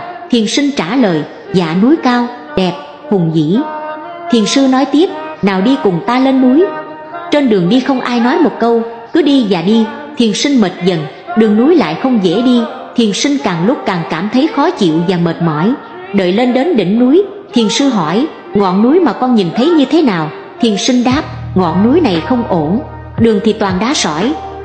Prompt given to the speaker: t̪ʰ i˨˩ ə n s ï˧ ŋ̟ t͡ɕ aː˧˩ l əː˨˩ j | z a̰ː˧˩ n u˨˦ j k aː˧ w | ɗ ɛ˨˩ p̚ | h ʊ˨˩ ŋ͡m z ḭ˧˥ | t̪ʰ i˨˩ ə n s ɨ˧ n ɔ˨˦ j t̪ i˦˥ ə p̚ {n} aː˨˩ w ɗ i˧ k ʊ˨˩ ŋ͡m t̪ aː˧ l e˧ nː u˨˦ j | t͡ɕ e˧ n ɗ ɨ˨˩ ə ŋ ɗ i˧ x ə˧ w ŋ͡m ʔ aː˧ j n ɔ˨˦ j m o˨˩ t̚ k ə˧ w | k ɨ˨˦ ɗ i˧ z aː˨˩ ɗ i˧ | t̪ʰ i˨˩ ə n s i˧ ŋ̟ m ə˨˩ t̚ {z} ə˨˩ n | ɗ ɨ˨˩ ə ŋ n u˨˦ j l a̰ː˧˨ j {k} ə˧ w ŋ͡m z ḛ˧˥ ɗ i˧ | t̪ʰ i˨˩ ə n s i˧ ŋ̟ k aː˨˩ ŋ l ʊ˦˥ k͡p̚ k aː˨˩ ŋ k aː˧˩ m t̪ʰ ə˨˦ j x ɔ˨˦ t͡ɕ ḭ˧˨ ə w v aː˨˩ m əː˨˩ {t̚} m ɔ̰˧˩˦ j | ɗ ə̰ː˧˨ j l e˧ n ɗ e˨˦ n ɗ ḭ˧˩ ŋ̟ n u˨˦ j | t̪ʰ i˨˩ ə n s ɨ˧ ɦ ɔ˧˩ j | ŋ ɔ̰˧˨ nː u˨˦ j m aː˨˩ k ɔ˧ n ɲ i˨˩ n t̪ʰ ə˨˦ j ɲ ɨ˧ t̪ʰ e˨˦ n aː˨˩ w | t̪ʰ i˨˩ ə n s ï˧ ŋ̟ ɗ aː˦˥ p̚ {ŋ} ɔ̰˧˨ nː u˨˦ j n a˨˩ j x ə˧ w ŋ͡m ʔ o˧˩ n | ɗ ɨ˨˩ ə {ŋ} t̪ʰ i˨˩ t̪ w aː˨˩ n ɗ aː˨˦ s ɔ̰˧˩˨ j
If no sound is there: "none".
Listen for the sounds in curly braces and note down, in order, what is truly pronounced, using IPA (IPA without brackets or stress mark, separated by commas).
n, z, x, t̚, ŋ, ŋ